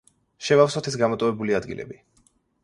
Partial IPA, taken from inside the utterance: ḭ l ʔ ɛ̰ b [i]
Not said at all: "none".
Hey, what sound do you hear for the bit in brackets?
i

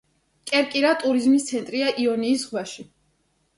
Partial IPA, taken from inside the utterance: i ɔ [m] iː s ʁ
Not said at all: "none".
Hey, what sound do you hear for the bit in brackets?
n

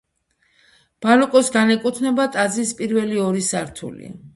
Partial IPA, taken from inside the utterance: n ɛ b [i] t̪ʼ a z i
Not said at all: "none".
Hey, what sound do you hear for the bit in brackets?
a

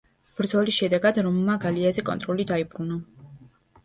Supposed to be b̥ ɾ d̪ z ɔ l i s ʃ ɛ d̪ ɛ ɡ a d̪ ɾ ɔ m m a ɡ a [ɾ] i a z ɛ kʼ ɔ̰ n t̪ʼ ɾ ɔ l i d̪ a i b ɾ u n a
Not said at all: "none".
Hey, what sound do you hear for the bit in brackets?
l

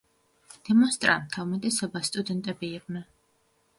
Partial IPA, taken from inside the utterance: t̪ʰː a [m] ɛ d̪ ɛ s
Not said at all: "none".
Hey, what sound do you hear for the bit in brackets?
m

